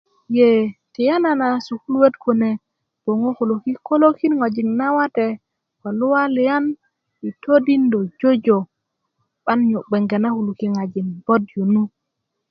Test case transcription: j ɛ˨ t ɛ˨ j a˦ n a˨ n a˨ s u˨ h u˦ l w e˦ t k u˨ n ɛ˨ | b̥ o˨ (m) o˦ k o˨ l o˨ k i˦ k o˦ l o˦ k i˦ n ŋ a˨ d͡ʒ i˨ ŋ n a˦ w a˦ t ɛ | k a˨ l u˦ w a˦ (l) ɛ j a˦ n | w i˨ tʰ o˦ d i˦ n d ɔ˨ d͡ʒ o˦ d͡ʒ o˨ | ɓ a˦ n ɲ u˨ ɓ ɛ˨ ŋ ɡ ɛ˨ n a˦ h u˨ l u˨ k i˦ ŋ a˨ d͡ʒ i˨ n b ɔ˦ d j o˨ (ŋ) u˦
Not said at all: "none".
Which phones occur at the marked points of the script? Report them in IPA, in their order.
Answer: ŋ, l, n

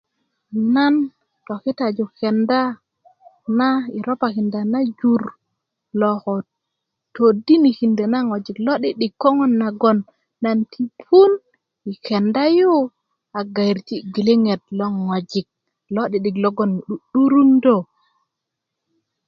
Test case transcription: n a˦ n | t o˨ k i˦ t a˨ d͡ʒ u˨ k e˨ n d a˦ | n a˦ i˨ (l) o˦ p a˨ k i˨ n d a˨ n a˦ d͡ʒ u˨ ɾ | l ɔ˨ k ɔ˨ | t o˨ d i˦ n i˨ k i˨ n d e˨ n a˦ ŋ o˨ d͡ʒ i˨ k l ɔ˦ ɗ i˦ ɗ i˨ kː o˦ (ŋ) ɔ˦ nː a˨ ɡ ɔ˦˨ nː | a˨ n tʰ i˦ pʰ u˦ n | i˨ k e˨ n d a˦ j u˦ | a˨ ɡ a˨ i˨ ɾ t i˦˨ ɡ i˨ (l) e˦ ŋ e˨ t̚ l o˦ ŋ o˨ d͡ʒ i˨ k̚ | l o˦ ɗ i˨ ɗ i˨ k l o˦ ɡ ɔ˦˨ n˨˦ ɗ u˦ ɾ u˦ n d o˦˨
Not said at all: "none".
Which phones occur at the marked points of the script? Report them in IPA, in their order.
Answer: ɾ, ŋ, l

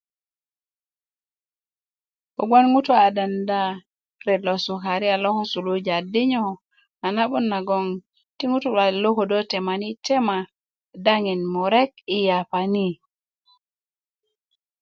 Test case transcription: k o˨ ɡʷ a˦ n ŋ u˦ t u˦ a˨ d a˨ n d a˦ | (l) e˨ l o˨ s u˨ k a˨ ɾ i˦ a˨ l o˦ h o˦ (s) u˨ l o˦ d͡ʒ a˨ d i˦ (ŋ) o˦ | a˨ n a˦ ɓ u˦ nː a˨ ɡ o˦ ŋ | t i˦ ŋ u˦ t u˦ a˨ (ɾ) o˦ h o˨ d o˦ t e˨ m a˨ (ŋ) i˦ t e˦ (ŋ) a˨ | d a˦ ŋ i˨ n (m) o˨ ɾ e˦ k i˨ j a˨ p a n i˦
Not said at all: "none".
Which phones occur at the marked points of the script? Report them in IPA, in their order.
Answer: ɾ, s, ɲ, l, n, m, m

